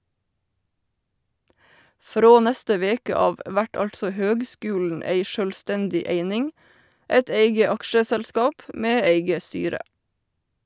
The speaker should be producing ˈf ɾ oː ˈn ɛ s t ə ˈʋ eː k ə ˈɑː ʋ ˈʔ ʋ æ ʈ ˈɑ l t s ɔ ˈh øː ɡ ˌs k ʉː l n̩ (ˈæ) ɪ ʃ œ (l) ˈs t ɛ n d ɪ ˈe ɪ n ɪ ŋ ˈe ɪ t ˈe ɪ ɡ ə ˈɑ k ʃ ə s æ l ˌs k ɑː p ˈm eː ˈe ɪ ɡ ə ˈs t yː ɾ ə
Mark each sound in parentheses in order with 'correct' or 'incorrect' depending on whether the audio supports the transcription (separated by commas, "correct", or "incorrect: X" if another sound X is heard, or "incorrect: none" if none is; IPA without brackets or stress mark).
incorrect: e, correct